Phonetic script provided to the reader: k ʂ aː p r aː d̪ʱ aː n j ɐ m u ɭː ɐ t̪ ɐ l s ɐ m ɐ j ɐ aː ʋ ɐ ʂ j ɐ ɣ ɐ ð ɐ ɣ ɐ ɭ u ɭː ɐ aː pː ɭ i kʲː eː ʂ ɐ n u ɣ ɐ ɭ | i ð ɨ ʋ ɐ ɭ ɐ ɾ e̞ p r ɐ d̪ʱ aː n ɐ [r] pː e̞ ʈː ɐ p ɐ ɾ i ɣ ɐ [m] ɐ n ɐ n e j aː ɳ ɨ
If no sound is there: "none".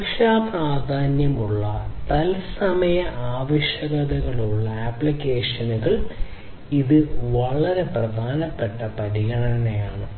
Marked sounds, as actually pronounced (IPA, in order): none, ɳ

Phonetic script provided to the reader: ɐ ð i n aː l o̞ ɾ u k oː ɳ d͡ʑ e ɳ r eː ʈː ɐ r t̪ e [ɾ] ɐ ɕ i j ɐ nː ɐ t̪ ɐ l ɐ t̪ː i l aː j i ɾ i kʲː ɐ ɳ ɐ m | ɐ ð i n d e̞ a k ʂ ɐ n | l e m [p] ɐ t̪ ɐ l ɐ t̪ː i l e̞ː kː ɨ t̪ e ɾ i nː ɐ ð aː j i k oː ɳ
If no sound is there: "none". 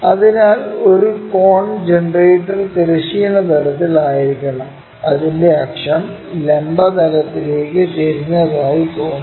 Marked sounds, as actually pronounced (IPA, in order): ɾ, b

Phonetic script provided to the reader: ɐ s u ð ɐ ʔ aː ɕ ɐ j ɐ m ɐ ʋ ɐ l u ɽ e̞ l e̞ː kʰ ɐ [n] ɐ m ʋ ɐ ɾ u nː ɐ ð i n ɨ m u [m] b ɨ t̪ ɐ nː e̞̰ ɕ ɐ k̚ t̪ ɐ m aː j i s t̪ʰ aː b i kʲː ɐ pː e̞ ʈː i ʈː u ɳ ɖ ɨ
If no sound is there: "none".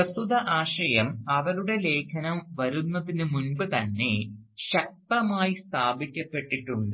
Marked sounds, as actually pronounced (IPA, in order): n, n

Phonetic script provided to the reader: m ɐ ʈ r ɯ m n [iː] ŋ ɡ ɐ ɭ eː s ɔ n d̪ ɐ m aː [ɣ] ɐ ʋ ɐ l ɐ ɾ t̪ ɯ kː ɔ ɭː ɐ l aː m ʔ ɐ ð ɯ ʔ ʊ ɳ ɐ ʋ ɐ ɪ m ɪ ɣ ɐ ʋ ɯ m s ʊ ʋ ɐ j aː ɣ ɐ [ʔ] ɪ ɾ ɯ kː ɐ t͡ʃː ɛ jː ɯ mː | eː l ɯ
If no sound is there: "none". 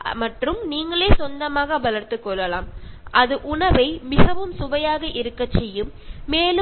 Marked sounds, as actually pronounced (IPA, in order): iː, ɣ, ʔ

